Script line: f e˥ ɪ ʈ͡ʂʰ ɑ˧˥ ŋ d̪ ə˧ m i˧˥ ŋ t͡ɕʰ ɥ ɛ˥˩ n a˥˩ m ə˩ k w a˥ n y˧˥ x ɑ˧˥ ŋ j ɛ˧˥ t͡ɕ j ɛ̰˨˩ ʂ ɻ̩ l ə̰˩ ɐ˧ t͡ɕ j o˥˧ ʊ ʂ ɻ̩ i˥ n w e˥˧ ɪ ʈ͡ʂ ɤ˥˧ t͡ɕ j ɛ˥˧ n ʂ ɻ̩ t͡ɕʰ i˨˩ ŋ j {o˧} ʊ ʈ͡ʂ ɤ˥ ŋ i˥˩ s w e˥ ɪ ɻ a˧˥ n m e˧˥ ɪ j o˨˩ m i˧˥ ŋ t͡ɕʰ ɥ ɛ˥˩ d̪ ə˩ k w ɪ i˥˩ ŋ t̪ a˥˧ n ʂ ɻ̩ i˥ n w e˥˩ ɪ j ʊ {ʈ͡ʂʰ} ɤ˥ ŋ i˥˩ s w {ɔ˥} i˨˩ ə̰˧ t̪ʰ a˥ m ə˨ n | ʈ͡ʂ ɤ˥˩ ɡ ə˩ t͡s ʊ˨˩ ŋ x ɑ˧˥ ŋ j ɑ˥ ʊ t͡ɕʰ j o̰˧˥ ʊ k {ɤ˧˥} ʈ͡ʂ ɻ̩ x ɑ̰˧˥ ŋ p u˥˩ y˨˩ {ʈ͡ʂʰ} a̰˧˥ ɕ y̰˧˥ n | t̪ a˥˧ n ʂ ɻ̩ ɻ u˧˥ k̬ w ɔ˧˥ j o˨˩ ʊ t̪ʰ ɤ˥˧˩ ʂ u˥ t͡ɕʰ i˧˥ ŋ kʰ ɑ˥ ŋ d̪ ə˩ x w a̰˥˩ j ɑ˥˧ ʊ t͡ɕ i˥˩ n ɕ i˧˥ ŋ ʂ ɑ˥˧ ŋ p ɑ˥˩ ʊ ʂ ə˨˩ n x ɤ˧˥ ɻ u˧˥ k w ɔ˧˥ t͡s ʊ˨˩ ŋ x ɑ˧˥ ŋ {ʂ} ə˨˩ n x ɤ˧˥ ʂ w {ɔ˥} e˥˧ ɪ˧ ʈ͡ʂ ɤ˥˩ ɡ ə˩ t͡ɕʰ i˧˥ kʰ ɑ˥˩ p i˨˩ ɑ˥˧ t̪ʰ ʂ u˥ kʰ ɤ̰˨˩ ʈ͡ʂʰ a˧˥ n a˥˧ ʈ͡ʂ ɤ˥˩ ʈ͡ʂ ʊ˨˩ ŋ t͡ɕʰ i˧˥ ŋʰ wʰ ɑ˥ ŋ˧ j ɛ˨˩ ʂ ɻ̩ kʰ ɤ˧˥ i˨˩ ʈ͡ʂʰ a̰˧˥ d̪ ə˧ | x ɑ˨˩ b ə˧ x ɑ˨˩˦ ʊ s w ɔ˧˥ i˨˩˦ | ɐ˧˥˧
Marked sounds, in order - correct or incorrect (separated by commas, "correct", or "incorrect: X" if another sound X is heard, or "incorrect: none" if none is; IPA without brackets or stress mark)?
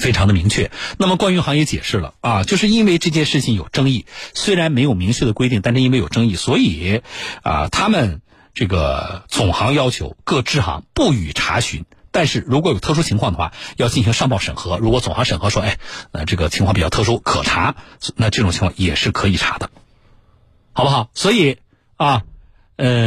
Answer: incorrect: o˨˩, incorrect: ʈ͡ʂ, incorrect: ɔ˧˥, incorrect: ɤ˥˧, correct, correct, correct